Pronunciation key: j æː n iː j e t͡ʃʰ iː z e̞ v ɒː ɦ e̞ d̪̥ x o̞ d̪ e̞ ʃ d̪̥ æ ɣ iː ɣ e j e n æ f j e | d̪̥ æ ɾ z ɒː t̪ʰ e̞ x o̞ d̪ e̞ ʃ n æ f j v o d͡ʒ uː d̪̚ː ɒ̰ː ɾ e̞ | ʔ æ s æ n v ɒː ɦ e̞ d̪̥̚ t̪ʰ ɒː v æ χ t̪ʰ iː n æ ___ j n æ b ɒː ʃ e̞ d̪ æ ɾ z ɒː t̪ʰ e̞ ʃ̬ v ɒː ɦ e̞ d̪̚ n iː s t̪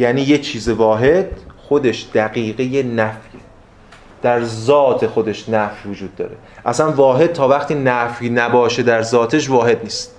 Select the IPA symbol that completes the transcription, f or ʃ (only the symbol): f